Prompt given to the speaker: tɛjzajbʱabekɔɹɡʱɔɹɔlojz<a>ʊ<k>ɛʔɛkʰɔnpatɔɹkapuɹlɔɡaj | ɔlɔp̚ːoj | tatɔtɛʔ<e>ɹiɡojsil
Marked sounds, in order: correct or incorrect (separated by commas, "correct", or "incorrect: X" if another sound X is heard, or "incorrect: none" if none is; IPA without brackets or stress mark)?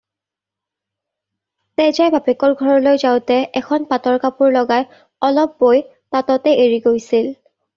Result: correct, incorrect: t, correct